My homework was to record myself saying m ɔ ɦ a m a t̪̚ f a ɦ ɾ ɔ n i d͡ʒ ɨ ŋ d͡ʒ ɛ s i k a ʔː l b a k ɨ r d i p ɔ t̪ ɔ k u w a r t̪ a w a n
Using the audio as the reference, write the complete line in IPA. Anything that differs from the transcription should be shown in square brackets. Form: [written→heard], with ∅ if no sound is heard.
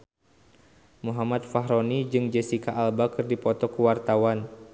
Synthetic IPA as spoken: m [ɔ→u] ɦ a m a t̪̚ f a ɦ ɾ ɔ n i d͡ʒ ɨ ŋ d͡ʒ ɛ s i k a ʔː l b a k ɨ r d i p ɔ t̪ ɔ k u w a r t̪ a w a n